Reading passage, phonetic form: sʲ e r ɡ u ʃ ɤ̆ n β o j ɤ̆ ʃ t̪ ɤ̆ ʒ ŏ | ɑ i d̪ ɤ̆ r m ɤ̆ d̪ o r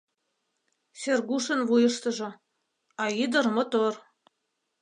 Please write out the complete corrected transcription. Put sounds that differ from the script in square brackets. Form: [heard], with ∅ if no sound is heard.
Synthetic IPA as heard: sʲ e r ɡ u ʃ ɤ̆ n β [u] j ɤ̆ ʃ t̪ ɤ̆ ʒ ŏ | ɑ i d̪ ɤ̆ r m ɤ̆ [t̪] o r